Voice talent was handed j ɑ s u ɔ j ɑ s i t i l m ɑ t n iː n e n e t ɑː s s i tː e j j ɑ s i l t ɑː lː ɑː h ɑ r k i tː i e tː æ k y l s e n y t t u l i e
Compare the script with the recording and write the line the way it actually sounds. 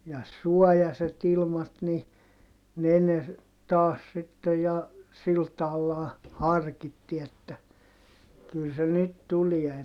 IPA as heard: j ɑ s u ɔ j ɑ s e t i l m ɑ t n i n e n e t ɑː s s i tː e j j ɑ s i l t ɑː lː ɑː h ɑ r k i tː i e tː æ k y l s e n y t t u l i e